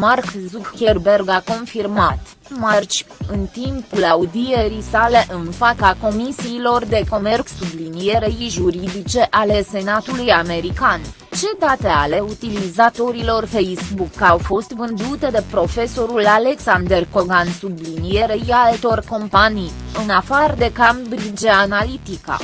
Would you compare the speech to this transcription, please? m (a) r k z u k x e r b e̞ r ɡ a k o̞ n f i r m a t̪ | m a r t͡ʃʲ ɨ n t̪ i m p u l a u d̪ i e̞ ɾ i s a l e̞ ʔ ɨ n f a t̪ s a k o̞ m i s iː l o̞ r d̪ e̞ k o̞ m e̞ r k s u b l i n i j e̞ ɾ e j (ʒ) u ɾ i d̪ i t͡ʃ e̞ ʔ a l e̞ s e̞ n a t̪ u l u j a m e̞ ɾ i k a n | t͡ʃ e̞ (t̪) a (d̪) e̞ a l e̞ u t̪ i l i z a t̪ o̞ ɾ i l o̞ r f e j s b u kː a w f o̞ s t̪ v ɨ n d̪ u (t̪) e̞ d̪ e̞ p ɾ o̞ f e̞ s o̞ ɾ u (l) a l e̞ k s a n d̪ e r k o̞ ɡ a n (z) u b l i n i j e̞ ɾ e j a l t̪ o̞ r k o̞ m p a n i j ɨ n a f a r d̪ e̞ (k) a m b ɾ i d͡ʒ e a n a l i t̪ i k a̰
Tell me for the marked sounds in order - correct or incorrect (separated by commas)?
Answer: correct, correct, incorrect, incorrect, correct, correct, incorrect, correct